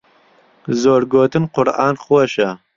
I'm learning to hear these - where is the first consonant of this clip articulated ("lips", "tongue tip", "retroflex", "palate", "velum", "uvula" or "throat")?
tongue tip